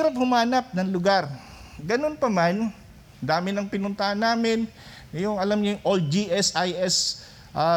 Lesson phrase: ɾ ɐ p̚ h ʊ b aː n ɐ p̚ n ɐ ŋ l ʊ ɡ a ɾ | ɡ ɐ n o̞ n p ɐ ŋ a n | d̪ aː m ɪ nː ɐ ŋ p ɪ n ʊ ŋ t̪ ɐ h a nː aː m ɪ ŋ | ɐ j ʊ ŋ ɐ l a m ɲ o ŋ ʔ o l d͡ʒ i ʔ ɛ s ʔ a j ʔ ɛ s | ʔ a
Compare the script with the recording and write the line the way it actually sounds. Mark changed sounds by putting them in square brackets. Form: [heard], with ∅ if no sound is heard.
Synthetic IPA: ɾ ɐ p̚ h ʊ [m] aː n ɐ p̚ n ɐ ŋ l ʊ ɡ a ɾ | ɡ ɐ n o̞ n p ɐ [m] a n | d̪ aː m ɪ [n] ɐ ŋ p ɪ n ʊ [n] t̪ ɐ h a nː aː m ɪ [n] | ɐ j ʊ ŋ ɐ l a m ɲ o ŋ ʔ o l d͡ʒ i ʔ ɛ s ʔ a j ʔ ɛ s | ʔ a